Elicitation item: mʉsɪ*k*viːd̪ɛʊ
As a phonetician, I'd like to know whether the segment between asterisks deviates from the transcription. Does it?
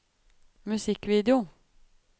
no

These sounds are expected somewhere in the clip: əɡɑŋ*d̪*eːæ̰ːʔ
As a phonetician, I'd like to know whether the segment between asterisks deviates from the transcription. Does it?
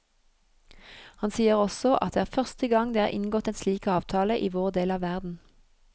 no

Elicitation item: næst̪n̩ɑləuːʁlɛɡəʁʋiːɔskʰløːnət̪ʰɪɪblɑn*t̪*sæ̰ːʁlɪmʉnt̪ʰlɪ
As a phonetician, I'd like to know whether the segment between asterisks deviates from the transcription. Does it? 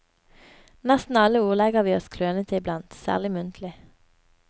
no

